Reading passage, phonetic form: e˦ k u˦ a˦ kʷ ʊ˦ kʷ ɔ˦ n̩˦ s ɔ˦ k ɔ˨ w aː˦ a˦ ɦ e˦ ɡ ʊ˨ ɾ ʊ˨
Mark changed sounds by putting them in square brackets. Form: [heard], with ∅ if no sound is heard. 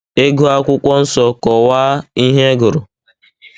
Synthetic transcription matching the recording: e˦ [ɡ] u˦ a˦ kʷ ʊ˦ kʷ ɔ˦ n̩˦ s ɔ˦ k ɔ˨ w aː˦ [i˦] ɦ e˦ ɡ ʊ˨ ɾ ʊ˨

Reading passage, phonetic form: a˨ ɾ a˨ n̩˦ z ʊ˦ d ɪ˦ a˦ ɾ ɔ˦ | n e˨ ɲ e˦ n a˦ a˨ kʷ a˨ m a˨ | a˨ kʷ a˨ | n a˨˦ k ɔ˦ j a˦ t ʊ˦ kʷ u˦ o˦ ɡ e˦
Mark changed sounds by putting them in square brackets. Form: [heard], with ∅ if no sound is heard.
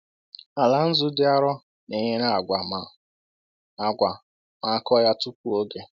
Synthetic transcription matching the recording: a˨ [l] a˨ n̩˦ z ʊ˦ d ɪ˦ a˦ ɾ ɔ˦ | n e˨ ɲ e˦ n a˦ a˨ [ɡʷ] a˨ m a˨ | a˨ [ɡʷ] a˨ | [m] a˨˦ k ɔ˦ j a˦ t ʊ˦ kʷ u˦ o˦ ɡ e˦

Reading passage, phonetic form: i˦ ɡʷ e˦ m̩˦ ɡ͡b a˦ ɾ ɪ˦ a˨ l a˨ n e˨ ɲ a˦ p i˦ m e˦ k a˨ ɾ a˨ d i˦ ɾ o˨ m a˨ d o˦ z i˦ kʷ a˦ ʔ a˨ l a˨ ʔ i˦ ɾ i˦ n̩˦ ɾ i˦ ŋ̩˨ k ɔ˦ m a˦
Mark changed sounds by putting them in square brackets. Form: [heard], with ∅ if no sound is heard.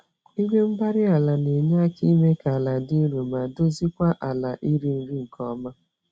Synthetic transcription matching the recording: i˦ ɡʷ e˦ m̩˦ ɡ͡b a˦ ɾ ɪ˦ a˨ l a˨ n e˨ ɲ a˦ [k] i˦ m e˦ k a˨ [l] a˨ d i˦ ɾ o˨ m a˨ d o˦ z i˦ kʷ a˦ ʔ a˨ l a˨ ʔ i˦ ɾ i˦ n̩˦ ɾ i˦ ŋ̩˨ k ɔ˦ m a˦

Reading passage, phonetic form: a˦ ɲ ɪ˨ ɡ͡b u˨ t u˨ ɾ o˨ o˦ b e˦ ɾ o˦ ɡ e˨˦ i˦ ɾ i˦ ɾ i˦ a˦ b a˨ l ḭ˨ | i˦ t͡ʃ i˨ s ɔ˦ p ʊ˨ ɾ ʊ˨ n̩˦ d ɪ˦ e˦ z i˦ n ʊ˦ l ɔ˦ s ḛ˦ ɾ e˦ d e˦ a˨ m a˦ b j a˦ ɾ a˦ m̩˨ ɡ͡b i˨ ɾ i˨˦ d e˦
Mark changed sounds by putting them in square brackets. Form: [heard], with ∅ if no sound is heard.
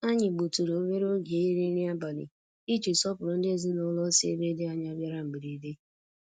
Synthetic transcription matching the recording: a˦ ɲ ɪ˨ ɡ͡b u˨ t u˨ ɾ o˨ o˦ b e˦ ɾ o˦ ɡ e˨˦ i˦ ɾ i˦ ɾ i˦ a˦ b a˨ l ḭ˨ | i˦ t͡ʃ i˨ s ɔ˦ p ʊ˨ ɾ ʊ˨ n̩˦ d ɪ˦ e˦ z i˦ n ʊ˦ l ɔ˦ s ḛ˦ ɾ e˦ d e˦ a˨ [ɲ] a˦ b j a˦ ɾ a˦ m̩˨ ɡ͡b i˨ ɾ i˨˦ d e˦

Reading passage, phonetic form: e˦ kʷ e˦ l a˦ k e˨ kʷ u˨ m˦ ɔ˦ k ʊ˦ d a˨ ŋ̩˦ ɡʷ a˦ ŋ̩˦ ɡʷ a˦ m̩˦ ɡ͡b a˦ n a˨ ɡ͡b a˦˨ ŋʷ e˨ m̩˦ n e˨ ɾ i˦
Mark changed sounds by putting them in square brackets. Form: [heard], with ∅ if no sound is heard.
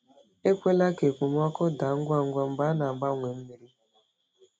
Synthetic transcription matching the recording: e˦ kʷ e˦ l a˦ k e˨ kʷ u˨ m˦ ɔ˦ k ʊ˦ d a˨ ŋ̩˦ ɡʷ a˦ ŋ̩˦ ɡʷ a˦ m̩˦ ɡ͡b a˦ n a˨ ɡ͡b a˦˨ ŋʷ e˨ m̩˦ [m] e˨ ɾ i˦

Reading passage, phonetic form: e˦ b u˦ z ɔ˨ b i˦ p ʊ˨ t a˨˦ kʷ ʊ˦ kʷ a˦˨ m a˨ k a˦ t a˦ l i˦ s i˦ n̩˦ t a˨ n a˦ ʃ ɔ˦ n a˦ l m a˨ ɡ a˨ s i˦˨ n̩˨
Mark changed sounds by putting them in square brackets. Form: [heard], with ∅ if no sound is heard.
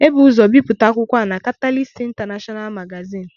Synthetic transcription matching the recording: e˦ b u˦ z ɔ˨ b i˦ p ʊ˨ t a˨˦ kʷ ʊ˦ kʷ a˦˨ [n] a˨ k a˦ t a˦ l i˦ s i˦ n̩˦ t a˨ n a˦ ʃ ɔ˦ n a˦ l m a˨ ɡ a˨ [z] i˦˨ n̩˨

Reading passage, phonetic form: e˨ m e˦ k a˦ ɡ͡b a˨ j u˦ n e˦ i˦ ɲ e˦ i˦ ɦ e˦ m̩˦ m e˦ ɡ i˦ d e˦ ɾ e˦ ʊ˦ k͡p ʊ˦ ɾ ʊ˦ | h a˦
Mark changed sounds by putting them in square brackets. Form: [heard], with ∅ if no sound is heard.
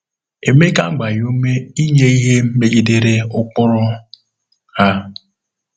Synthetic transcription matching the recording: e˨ m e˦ k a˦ ɡ͡b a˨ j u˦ [m] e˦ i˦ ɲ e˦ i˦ ɦ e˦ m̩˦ m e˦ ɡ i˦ d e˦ ɾ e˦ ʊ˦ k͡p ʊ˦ ɾ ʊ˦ | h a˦

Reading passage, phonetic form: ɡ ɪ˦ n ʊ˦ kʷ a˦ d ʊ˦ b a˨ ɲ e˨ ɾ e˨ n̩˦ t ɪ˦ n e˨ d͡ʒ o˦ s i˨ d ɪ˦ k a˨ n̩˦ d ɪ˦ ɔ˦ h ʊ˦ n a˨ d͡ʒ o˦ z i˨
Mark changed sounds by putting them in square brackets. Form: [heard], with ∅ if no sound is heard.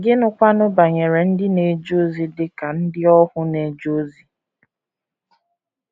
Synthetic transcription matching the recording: ɡ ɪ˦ n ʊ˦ kʷ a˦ [n] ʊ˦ b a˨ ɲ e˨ ɾ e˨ n̩˦ [d] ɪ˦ n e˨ d͡ʒ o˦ [z] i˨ d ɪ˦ k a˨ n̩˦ d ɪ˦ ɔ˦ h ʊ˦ n [e˨] d͡ʒ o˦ z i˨

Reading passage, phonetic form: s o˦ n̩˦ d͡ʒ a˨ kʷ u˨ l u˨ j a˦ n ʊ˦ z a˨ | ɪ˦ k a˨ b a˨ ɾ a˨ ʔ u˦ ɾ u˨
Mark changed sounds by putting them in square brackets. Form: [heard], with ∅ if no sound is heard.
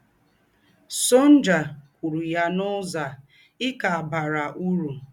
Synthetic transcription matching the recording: s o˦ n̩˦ d͡ʒ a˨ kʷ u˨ [ɾ] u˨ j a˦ n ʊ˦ z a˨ | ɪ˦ k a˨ b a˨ ɾ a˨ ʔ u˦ ɾ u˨

